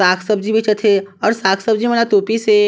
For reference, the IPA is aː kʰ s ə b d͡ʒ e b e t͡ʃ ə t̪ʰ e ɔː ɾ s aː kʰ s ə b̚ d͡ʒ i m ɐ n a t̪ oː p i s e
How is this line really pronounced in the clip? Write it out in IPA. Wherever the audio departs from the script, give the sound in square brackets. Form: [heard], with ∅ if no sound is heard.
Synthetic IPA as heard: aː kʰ s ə b d͡ʒ [i] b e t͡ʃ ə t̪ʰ e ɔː ɾ s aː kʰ s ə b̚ d͡ʒ i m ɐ n a t̪ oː p i s e